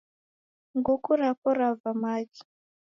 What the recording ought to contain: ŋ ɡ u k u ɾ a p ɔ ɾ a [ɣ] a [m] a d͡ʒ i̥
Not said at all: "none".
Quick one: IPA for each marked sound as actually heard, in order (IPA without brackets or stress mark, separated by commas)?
v, m